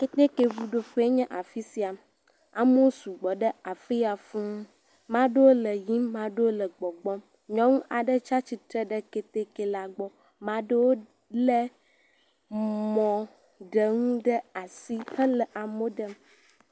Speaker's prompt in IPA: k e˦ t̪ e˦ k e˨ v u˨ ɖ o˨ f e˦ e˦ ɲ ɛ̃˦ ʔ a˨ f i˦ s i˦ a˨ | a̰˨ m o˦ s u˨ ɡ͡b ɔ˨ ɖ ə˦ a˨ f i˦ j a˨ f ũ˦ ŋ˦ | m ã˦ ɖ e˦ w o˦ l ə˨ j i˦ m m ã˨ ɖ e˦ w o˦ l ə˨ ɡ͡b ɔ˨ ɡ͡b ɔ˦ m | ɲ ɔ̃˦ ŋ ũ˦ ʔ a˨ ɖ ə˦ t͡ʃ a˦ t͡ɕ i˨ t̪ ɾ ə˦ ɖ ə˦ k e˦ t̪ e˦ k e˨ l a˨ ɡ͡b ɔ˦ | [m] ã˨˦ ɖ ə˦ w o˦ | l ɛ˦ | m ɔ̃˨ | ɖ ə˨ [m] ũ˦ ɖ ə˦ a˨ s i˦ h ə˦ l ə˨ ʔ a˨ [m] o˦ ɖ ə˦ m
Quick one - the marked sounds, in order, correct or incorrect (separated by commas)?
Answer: correct, incorrect, correct